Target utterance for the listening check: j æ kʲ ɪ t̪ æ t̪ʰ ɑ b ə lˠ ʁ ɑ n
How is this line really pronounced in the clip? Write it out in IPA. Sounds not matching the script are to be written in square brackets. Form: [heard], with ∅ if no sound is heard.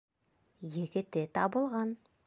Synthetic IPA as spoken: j [e] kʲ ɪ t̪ [e] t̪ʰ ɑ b ə lˠ ʁ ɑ n